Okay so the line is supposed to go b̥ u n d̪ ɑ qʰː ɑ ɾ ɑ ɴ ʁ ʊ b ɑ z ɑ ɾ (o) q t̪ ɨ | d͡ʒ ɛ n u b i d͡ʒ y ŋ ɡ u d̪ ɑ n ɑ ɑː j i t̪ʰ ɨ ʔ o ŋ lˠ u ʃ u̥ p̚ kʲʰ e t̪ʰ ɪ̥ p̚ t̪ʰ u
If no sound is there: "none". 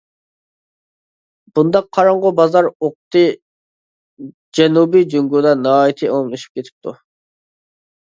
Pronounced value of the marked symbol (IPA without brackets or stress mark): o